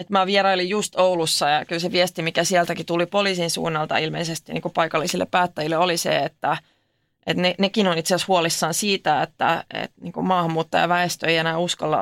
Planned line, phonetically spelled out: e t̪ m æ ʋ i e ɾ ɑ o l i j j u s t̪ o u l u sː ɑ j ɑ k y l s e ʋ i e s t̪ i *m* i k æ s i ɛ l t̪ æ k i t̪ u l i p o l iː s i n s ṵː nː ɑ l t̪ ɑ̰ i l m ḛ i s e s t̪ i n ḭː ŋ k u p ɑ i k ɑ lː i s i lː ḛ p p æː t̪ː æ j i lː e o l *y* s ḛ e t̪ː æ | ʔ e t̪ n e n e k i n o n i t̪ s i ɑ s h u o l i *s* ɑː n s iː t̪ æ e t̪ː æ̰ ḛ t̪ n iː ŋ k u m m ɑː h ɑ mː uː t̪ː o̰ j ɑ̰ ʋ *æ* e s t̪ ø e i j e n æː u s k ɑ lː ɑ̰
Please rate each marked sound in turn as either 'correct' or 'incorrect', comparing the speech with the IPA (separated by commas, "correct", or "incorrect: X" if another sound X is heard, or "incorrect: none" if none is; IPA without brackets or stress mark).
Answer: correct, incorrect: i, incorrect: sː, correct